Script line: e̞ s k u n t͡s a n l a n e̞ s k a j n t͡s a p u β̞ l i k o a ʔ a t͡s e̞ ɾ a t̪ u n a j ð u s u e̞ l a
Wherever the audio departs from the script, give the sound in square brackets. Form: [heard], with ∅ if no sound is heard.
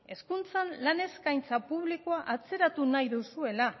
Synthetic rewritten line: e̞ s k u n t͡s a n l a n e̞ s k a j n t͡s a p u β̞ l i k o a ʔ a t͡s e̞ ɾ a t̪ u n a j ð u s u e̞ l a

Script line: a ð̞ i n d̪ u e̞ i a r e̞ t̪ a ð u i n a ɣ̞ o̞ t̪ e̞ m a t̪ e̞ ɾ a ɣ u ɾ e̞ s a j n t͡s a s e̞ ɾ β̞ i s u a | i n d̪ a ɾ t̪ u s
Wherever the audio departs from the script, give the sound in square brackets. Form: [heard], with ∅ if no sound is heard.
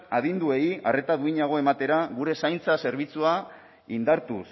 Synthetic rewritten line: a ð̞ i n d̪ u e̞ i a r e̞ t̪ a ð u i [ɲ] a ɣ̞ o̞ [∅] e̞ m a t̪ e̞ ɾ a ɣ u ɾ e̞ s a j n t͡s a s e̞ ɾ β̞ i [t͡s] u a | i n d̪ a ɾ t̪ u s

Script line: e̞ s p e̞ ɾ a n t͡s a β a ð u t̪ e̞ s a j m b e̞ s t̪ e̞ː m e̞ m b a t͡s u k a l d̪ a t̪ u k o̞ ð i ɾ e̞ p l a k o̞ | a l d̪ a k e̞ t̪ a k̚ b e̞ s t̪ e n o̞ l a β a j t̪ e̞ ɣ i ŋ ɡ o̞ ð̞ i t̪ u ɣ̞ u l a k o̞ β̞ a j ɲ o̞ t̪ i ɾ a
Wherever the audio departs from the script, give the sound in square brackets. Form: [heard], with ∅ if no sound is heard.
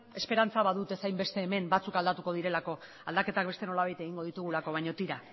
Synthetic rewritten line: e̞ s p e̞ ɾ a n t͡s a β a ð u t̪ e̞ s a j m b e̞ s t̪ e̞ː m e̞ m b a t͡s u k a l d̪ a t̪ u k o̞ ð i ɾ e̞ [∅] l a k o̞ | a l d̪ a k e̞ t̪ a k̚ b e̞ s t̪ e n o̞ l a β a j t̪ e̞ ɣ i ŋ ɡ o̞ ð̞ i t̪ u ɣ̞ u l a k o̞ β̞ a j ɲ o̞ t̪ i ɾ a

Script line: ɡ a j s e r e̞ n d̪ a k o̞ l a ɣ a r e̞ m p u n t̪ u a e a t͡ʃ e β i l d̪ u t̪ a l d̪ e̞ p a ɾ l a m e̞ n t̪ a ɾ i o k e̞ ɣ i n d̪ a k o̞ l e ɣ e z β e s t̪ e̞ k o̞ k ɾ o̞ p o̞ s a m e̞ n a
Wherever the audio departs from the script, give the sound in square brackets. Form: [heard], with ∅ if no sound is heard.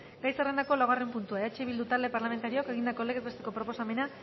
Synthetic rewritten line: ɡ a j s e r e̞ n d̪ a k o̞ l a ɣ a r e̞ m p u n t̪ u a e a t͡ʃ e β i l d̪ u t̪ a l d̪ e̞ p a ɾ l a m e̞ n t̪ a ɾ i o k e̞ ɣ i n d̪ a k o̞ l e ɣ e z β e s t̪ e̞ k o̞ [p] ɾ o̞ p o̞ s a m e̞ n a

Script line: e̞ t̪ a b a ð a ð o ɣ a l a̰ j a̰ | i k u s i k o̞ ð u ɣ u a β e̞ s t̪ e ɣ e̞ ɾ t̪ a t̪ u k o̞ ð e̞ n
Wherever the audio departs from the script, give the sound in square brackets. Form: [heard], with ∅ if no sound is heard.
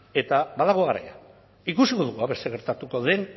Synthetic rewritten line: e̞ t̪ a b a ð a [ɣ] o ɣ a [ɾ] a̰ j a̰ | i k u s i k o̞ ð u ɣ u a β e̞ s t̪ e ɣ e̞ ɾ t̪ a t̪ u k o̞ ð e̞ n

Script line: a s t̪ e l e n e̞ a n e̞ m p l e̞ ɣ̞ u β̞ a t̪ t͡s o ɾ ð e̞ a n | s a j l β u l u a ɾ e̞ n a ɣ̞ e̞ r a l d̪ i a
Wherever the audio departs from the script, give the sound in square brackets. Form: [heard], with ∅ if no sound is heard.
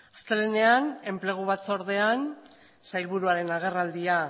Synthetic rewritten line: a s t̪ e l e n e̞ a n e̞ m p l e̞ ɣ̞ u β̞ a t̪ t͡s o ɾ ð e̞ a n | s a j l β u [ɾ] u a ɾ e̞ n a ɣ̞ e̞ r a l d̪ i a

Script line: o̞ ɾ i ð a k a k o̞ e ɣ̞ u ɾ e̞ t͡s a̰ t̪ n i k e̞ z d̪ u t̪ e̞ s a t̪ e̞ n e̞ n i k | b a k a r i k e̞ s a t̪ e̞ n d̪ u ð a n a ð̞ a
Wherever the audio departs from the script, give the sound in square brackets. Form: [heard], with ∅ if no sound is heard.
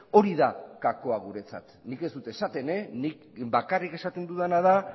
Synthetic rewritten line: o̞ ɾ i ð a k a k o̞ [a] ɣ̞ u ɾ e̞ t͡s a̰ t̪ n i k e̞ z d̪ u t̪ e̞ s a t̪ e̞ n e̞ n i k | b a k a r i k e̞ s a t̪ e̞ n d̪ u ð a n a ð̞ a

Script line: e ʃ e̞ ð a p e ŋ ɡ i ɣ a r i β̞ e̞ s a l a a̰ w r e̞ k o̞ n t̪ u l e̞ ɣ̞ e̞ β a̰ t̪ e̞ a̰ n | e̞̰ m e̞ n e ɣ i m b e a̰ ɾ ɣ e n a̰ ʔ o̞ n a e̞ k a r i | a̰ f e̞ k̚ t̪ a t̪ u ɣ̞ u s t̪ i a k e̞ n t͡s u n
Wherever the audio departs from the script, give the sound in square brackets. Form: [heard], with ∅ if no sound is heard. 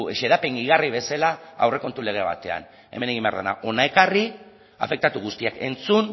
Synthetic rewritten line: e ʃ e̞ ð a p e ŋ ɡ i ɣ a r i β̞ e̞ s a l a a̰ w r e̞ k o̞ n t̪ u l e̞ ɣ̞ e̞ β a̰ t̪ e̞ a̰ n | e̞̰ m e̞ n e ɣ i m b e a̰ ɾ [ð] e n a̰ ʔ o̞ n a e̞ k a r i | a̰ f e̞ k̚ t̪ a t̪ u ɣ̞ u s t̪ i a k e̞ n t͡s u n

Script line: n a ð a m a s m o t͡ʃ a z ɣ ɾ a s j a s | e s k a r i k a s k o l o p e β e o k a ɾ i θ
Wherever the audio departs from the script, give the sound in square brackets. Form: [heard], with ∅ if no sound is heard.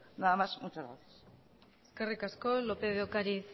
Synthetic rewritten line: n a ð a m a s m [u] t͡ʃ a z ɣ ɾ a [θ] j a s | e s k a r i k a s k o l o p e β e o k a ɾ i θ

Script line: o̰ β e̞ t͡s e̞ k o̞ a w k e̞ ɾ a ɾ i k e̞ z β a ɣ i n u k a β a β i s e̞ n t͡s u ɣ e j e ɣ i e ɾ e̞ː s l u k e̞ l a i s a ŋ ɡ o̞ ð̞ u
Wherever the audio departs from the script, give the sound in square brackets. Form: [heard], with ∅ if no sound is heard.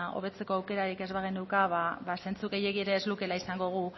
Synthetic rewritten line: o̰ β e̞ t͡s e̞ k o̞ a w k e̞ ɾ a ɾ i k e̞ z β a ɣ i n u k a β a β [a] s e̞ n t͡s u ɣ e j e ɣ i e ɾ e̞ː [z] l u k e̞ l a i s a ŋ ɡ o̞ [ɣ̞] u

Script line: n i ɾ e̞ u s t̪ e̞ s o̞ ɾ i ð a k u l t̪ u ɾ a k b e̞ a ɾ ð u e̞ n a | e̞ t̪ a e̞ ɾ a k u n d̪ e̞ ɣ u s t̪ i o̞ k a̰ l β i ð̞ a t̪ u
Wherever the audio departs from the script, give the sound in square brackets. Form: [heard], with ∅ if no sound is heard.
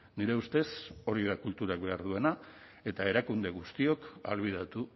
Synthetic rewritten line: n i ɾ e̞ u s t̪ e̞ s o̞ ɾ i ð a k u l t̪ u ɾ a k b e̞ a ɾ ð u e̞ n a | e̞ t̪ a e̞ ɾ a k u n d̪ e̞ ɣ u s t̪ i o̞ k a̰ l β i ð̞ a t̪ u

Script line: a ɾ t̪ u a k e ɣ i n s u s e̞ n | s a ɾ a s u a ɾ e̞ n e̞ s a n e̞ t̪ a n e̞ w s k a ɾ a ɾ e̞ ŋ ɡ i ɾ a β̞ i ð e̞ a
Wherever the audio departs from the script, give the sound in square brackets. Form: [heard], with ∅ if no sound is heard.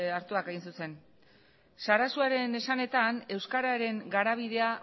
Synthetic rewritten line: a ɾ t̪ u a k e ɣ i n s u s e̞ n | s a ɾ a s u a ɾ e̞ n e̞ s a n e̞ t̪ a n e̞ w s k a ɾ a ɾ e̞ ŋ ɡ [a] ɾ a β̞ i ð e̞ a

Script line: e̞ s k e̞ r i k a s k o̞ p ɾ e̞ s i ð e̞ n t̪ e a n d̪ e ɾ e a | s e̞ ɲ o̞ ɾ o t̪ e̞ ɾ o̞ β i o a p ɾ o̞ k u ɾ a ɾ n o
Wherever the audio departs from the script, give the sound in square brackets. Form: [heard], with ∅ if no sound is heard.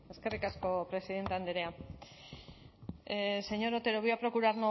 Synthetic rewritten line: e̞ s k e̞ r i k a s k o̞ p ɾ e̞ s i ð e̞ n t̪ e a n d̪ e ɾ e a | s e̞ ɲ o̞ ɾ o t̪ e̞ ɾ o̞ β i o a p ɾ o̞ k u ɾ a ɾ n o

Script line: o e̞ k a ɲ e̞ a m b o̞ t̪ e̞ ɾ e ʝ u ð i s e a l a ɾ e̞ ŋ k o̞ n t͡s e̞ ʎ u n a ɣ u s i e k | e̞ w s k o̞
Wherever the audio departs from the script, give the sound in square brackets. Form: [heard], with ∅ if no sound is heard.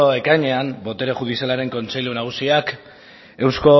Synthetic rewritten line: o e̞ k a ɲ e̞ a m b o̞ t̪ e̞ ɾ e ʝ u ð i s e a l a ɾ e̞ ŋ k o̞ n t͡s e̞ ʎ u n a ɣ u s i [a] k | e̞ w s k o̞

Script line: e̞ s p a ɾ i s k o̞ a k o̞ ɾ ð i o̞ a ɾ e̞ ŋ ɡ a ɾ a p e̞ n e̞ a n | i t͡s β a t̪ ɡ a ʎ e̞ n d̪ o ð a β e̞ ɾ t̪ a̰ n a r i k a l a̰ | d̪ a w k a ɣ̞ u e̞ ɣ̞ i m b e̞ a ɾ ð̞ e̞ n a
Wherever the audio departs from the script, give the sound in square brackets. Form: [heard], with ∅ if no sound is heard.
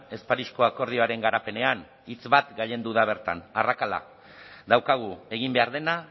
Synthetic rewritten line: e̞ s p a ɾ i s k o̞ a k o̞ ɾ ð i o̞ a ɾ e̞ ŋ ɡ a ɾ a p e̞ n e̞ a n | i t͡s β a t̪ ɡ a ʎ e̞ n d̪ [u] ð a β e̞ ɾ t̪ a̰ n a r [a] k a l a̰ | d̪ a w k a ɣ̞ u e̞ ɣ̞ i m b e̞ a ɾ ð̞ e̞ n a

